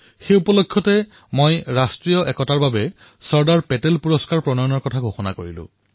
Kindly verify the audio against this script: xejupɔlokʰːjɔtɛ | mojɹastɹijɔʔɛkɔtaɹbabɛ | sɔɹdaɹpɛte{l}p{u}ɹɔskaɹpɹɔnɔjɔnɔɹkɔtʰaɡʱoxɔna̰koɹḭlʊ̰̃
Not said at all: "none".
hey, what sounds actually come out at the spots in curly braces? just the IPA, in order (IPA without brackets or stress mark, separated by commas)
l, u